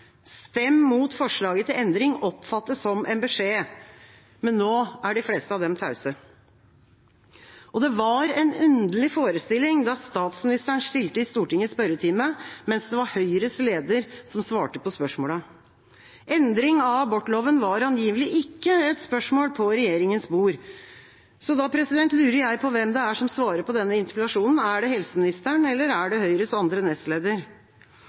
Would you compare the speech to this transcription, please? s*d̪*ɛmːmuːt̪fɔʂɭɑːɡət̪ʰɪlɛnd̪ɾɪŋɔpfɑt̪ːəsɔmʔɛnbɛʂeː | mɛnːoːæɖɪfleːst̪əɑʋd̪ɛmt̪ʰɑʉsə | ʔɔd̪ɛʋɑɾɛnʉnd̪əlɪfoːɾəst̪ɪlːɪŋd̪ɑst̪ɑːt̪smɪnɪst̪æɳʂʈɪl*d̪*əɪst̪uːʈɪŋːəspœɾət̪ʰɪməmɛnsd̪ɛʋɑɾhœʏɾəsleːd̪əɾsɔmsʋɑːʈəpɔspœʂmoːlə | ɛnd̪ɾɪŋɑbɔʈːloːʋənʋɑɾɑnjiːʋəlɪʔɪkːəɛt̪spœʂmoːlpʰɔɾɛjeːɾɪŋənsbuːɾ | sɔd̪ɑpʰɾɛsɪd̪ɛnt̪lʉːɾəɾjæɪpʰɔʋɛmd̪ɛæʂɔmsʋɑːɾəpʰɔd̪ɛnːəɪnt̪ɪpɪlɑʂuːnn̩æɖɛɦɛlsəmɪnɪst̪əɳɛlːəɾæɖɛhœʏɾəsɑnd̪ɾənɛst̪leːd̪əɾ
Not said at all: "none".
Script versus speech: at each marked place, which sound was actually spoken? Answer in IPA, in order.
t̪, t̪

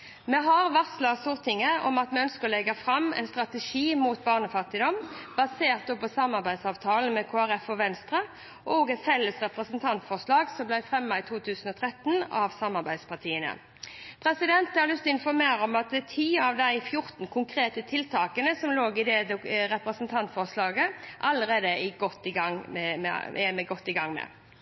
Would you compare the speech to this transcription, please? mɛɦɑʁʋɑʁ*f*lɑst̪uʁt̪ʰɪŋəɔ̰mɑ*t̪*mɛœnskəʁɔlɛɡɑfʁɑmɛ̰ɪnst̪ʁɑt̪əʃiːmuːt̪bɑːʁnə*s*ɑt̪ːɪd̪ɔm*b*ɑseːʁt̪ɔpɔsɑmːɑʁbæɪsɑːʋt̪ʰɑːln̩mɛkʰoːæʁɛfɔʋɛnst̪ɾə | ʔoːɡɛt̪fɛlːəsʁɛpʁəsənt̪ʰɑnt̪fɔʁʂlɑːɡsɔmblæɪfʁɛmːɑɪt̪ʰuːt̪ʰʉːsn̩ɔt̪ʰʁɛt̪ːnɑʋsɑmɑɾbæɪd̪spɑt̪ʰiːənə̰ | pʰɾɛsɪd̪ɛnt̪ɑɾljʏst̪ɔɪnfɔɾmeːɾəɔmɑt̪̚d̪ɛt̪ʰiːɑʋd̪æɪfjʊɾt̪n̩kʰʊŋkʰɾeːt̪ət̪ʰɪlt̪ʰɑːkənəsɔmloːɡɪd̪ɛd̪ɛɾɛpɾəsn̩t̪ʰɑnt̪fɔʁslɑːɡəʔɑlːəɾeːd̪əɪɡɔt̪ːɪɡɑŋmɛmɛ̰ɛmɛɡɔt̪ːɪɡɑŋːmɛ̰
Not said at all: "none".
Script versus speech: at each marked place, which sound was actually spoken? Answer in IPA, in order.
s, t̪, f, b

